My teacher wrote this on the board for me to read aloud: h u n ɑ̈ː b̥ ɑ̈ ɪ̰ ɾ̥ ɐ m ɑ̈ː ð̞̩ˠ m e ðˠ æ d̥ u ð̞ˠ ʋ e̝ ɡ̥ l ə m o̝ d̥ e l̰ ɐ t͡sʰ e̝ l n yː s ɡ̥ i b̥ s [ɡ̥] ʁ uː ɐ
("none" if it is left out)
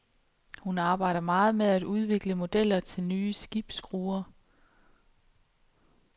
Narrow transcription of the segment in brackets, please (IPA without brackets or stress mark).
ɡ̥